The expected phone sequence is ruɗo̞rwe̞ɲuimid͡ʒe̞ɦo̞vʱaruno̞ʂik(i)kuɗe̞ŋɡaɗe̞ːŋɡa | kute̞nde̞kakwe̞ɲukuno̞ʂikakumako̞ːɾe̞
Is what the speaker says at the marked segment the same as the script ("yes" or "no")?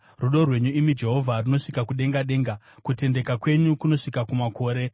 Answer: no